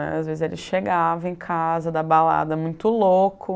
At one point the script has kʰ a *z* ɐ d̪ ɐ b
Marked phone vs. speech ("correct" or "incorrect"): correct